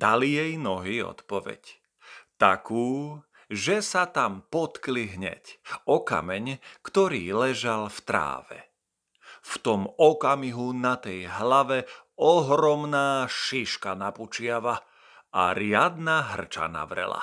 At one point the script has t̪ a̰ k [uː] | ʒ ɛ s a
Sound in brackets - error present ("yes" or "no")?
no